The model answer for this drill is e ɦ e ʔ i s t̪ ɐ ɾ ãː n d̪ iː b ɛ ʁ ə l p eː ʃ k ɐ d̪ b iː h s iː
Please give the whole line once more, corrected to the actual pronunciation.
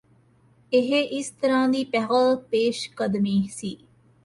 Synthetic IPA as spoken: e ɦ e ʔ i s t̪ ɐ ɾ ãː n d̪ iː p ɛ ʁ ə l p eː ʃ k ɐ d̪ m iː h s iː